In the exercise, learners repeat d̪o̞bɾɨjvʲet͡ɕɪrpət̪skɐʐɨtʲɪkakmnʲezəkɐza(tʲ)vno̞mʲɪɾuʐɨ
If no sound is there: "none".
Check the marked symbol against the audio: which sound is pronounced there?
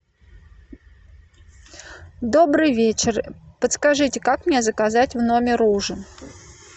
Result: tʲ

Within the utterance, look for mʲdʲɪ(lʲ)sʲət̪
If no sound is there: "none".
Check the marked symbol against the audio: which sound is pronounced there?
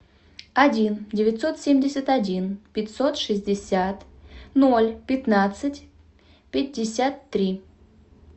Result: none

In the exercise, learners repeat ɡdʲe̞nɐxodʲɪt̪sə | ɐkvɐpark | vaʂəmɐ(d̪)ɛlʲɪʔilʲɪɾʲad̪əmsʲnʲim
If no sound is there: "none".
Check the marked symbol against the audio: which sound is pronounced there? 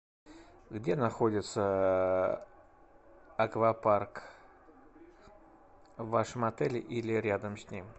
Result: t̪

